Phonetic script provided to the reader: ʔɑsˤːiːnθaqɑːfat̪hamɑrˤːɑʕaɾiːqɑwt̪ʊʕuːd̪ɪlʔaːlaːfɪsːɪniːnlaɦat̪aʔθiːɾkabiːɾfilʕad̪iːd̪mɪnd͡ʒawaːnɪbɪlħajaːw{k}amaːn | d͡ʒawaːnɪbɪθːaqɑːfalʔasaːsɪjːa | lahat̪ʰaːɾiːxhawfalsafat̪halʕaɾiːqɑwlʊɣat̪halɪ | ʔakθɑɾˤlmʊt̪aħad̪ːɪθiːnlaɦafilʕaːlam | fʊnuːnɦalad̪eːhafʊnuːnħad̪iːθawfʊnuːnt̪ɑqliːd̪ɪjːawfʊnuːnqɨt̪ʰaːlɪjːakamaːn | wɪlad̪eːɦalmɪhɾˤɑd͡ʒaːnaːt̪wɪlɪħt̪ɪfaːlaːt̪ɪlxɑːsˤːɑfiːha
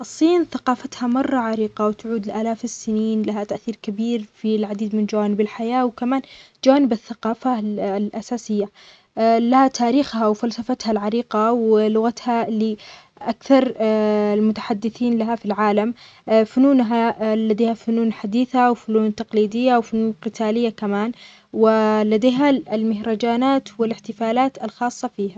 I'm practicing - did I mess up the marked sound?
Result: no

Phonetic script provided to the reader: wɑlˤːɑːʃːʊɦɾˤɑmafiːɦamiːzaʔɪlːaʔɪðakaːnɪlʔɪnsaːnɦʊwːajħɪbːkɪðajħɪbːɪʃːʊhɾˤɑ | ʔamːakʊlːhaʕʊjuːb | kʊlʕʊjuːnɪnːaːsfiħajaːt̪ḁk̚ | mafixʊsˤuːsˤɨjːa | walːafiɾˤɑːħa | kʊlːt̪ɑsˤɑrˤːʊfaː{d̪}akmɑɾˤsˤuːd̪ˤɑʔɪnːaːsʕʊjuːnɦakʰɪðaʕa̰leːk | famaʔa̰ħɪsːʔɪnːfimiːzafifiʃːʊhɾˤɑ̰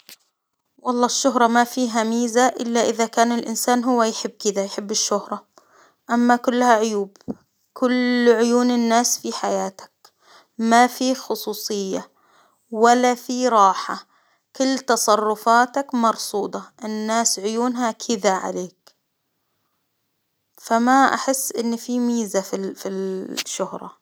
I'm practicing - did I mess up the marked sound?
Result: yes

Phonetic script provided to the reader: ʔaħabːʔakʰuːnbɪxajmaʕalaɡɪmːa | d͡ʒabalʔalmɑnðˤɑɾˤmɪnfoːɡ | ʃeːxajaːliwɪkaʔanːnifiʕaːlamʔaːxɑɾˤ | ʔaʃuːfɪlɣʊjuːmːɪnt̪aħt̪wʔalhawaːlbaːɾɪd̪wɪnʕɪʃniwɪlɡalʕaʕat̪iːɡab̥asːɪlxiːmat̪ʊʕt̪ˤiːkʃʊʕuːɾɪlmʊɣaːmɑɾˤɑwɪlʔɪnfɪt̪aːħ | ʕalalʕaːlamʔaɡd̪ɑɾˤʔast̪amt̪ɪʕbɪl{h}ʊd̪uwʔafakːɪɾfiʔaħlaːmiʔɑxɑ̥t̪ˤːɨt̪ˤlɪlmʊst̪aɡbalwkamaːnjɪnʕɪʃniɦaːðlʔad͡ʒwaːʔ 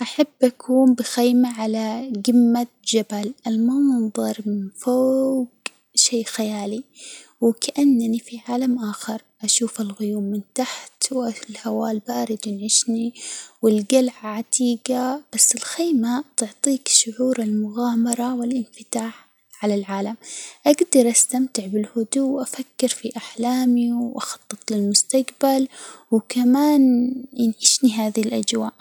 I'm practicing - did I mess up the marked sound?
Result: no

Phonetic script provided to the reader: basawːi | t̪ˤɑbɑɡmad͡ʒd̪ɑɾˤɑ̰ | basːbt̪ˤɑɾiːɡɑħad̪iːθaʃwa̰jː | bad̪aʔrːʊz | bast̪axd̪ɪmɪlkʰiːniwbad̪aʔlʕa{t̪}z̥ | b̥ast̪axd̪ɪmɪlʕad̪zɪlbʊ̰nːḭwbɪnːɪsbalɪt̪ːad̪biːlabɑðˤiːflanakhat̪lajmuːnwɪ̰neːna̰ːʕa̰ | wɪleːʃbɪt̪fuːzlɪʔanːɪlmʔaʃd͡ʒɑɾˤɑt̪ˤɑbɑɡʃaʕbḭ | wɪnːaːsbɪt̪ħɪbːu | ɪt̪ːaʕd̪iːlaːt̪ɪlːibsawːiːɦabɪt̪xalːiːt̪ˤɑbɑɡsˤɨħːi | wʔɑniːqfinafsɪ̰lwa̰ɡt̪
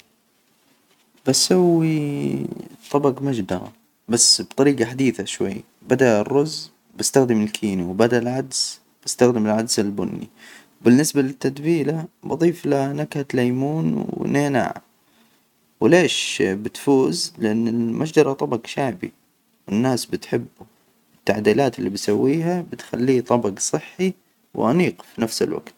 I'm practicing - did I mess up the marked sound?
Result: yes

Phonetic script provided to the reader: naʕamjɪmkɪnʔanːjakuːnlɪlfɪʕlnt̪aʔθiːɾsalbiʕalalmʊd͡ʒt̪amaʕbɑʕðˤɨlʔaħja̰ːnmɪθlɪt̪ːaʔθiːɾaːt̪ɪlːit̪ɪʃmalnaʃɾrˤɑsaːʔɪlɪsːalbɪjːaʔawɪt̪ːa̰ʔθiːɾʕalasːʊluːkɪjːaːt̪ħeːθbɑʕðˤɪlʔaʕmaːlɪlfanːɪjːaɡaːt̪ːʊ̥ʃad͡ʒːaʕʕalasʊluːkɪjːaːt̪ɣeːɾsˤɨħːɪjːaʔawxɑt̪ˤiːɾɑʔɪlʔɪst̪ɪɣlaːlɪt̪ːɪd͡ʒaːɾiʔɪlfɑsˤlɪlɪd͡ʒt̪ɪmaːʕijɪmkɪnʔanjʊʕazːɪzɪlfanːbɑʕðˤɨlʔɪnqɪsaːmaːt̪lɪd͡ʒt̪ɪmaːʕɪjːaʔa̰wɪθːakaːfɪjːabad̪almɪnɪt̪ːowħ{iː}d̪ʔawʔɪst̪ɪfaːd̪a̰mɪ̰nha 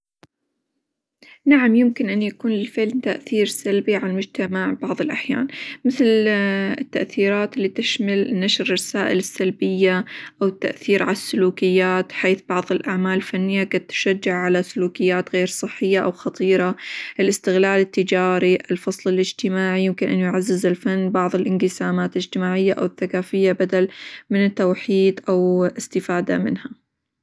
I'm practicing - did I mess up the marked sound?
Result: no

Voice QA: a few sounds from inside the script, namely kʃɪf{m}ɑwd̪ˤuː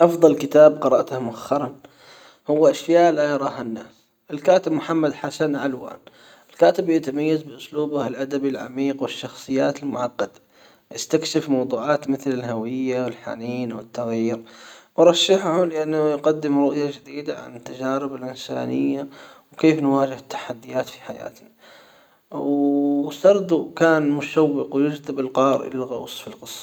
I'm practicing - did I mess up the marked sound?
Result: no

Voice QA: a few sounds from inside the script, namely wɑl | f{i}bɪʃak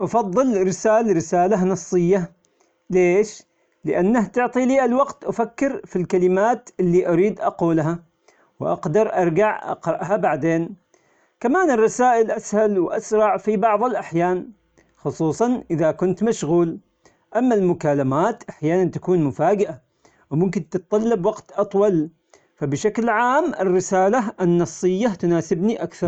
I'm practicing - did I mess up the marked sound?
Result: yes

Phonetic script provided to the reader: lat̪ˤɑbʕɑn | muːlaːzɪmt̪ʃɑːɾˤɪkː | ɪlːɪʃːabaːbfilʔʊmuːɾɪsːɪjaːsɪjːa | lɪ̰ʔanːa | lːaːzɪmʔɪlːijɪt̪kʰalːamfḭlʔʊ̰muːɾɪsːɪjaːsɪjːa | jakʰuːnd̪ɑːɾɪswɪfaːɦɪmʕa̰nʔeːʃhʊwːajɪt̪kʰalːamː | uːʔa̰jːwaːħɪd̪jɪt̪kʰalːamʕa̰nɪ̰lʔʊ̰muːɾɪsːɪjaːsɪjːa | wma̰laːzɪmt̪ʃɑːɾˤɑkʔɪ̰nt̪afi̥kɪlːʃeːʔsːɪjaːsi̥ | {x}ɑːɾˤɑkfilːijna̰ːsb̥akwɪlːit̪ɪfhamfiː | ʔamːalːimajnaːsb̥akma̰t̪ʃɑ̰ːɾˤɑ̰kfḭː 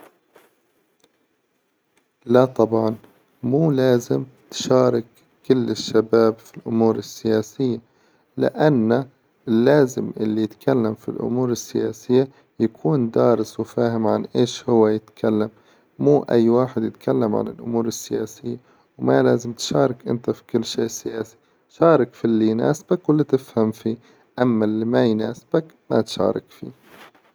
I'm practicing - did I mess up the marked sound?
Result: yes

